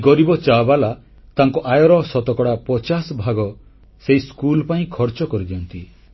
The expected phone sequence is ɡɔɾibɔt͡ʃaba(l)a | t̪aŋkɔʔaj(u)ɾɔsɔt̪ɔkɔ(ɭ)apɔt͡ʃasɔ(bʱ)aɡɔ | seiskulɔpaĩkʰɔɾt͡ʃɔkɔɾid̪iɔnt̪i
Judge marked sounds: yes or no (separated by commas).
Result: yes, no, no, yes